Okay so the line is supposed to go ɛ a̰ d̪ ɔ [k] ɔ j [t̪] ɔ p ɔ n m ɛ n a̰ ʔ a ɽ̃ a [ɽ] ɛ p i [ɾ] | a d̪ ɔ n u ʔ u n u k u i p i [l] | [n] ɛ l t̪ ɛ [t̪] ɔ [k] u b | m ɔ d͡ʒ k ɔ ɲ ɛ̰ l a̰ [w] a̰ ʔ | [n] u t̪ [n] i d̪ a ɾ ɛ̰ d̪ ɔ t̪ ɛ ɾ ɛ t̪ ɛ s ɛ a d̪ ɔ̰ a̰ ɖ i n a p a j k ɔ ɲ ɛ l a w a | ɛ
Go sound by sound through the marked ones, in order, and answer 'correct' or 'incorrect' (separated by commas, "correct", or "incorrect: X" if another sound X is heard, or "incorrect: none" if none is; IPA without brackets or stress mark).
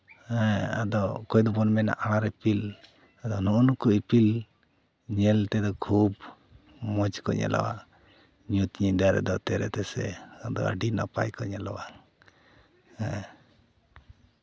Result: correct, incorrect: d̪, incorrect: ɾ, incorrect: l, correct, incorrect: ɲ, incorrect: d̪, incorrect: kʰ, correct, incorrect: ɲ, incorrect: ɲ